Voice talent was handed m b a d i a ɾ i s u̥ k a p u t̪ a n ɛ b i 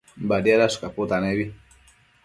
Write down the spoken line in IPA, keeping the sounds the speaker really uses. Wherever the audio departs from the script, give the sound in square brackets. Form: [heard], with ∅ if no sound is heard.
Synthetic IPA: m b a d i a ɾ [a] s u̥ k a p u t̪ a n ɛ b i